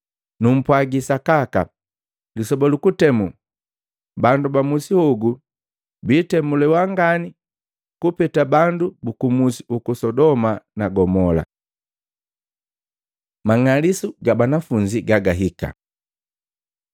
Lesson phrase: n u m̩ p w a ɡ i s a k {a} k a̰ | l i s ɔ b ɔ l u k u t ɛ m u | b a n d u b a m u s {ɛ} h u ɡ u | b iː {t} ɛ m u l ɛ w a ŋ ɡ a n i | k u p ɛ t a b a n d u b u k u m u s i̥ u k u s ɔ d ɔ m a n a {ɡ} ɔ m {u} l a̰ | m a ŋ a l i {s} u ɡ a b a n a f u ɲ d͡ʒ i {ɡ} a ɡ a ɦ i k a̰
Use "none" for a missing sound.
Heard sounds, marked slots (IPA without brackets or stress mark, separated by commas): a, i, t, ɡ, ɔ, s, ɡ